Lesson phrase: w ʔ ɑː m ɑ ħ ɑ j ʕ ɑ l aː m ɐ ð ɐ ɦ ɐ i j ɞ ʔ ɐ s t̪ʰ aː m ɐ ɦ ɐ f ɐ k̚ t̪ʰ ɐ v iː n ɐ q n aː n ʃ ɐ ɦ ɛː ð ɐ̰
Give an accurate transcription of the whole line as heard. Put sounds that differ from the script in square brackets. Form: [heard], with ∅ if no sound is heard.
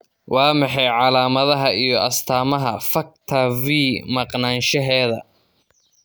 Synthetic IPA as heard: w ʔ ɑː m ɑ ħ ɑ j ʕ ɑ l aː m ɐ ð ɐ ɦ ɐ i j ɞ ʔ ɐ s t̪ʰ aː m ɐ ɦ ɐ f ɐ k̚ t̪ʰ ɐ v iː [m] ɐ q n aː n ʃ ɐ ɦ ɛː ð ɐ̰